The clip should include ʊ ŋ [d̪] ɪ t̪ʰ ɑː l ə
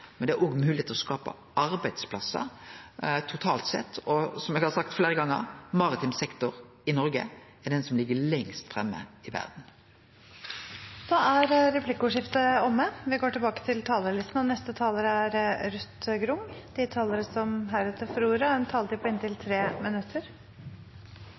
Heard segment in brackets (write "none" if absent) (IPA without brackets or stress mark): d̪